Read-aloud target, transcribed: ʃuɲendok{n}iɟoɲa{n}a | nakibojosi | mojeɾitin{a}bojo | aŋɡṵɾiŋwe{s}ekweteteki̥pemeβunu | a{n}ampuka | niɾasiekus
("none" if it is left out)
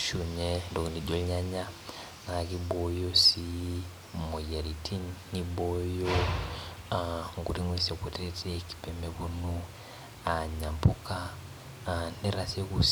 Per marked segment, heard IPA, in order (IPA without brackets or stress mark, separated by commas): n, ɲ, i, s, ɲ